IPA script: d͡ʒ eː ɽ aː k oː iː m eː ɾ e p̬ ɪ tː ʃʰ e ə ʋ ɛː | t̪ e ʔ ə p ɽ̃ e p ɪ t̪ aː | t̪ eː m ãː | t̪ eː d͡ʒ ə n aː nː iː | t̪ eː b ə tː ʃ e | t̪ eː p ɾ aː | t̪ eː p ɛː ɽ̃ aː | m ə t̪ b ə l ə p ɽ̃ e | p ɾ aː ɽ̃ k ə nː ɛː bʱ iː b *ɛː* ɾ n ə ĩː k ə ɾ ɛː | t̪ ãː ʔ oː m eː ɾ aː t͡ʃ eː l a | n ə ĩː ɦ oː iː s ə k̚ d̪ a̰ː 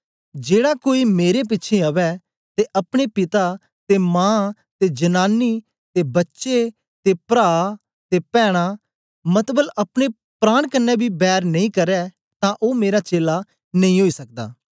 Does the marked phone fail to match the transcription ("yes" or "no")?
no